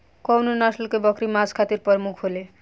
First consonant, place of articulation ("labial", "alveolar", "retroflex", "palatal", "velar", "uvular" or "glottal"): velar